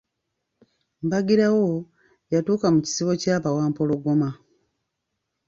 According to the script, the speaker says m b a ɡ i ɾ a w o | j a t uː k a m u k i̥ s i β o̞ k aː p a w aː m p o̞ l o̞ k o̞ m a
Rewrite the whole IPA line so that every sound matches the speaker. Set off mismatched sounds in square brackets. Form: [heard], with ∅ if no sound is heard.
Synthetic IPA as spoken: m b a ɡ i ɾ a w o | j a t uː k a m u [c] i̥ s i β o̞ [c] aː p a w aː m p o̞ l o̞ [ɡ] o̞ m a